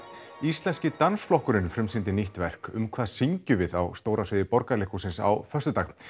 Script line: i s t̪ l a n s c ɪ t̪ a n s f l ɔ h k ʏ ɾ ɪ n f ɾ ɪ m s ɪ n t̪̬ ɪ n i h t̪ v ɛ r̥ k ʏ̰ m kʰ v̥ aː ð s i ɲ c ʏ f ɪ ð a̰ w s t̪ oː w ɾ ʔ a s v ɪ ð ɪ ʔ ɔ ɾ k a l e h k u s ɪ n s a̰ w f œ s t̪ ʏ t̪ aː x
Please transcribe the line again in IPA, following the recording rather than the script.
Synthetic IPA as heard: i s t̪ l ɛ n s c ɪ t̪ a n s f l ɔ h k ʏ ɾ ɪ n f ɾ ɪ m s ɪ n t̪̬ ɪ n i h t̪ v ɛ r̥ k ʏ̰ m kʰ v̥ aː ð s i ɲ c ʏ v ɪ ð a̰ w s t̪ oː w ɾ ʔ a s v ɪ ð ɪ p ɔ ɾ k a l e h k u s ɪ n s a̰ w f œ s t̪ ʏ t̪ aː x